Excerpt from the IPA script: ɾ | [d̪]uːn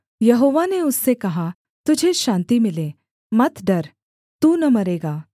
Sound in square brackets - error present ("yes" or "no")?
yes